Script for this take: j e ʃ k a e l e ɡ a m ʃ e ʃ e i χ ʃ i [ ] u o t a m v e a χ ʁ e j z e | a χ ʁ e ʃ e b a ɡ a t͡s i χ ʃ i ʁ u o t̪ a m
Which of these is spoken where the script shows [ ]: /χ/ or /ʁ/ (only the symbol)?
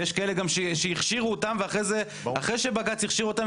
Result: ʁ